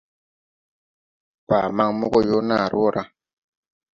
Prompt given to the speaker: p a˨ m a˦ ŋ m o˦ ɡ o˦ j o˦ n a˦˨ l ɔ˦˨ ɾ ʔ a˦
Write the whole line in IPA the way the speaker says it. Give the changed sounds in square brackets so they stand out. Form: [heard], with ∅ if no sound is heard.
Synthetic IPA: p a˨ m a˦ ŋ m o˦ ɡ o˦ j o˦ n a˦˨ [ɾ] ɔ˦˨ ɾ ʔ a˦